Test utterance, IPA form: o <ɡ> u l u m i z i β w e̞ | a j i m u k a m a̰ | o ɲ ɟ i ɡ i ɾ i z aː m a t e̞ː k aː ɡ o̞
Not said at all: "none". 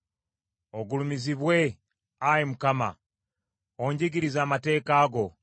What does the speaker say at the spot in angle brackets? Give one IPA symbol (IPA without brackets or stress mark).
ɡ